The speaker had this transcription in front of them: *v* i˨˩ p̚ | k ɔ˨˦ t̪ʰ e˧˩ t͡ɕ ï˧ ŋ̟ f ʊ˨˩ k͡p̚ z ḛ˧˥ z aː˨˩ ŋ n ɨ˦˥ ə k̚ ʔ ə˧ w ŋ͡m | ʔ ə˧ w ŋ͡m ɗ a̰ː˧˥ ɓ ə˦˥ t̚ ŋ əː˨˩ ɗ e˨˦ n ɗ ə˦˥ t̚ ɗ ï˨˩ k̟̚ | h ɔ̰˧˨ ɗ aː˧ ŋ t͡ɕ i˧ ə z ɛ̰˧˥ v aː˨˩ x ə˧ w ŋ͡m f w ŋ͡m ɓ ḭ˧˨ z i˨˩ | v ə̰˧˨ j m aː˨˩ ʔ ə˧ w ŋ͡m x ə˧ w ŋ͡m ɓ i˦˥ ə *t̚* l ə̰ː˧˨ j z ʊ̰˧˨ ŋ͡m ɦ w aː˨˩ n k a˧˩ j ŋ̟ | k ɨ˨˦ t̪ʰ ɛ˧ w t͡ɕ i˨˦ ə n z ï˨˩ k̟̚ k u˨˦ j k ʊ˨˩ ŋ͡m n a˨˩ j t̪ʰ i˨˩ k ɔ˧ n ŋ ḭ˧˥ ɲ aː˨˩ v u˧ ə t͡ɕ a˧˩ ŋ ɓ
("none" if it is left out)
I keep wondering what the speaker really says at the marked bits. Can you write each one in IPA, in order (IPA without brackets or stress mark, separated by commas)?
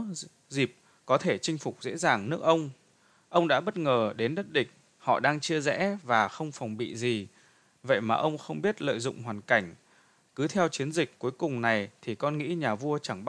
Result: z, t̚